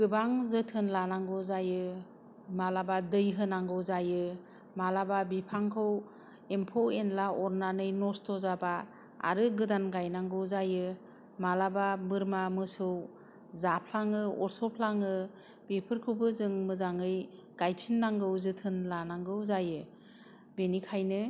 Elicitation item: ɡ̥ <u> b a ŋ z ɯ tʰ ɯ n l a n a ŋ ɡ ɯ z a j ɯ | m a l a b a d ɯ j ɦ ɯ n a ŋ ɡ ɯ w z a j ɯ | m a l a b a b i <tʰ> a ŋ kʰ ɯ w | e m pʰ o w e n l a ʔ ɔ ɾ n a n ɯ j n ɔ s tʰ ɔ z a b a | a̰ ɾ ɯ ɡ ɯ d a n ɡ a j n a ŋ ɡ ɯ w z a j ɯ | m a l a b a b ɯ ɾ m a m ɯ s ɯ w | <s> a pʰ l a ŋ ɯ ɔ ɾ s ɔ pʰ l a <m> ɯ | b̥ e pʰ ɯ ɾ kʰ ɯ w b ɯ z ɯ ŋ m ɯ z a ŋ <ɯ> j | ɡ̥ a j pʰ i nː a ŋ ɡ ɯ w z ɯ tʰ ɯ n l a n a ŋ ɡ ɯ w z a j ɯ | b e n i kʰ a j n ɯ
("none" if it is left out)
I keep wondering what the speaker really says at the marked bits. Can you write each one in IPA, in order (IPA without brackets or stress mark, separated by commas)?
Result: ɯ, pʰ, z, ŋ, ɯ